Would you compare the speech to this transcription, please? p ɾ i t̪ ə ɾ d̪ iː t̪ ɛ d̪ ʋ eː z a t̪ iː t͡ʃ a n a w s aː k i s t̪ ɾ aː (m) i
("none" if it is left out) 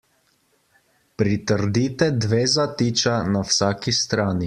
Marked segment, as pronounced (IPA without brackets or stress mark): n